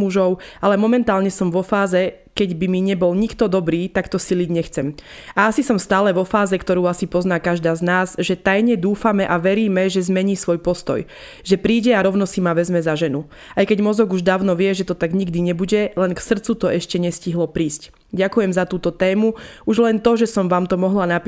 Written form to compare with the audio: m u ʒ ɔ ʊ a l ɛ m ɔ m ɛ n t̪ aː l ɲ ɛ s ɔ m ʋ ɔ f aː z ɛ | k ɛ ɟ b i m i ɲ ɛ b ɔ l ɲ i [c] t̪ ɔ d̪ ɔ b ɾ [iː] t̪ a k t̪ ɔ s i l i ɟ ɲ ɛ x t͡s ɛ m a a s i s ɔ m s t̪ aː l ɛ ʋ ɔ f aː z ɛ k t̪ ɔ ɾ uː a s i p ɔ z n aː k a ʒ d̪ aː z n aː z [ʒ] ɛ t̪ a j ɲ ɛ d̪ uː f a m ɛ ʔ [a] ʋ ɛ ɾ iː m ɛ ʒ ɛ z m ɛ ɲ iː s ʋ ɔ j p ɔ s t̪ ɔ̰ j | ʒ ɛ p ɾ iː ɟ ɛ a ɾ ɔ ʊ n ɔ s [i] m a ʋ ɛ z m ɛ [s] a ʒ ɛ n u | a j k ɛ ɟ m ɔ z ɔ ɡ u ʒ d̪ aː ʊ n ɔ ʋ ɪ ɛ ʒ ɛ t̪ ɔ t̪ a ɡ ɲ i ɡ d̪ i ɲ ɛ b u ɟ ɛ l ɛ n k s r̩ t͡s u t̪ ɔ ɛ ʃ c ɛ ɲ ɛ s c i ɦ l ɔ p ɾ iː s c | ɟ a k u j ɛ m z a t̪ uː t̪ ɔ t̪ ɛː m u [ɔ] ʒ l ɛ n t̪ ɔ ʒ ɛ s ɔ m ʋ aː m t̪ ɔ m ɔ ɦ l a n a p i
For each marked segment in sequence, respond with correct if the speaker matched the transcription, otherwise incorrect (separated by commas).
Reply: incorrect, correct, correct, correct, correct, incorrect, incorrect